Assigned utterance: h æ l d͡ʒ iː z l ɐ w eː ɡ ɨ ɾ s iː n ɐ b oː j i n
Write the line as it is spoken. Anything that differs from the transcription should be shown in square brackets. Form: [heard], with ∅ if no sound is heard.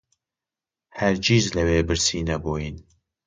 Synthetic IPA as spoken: h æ [ɾ] d͡ʒ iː z l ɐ w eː [b] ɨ ɾ s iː n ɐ b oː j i n